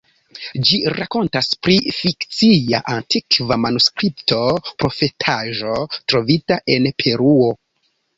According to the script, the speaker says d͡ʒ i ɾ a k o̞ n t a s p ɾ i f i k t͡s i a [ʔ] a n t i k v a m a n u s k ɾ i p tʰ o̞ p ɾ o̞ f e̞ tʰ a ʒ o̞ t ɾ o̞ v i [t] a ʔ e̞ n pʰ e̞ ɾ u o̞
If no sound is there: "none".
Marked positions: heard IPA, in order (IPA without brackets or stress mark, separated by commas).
ʔ, t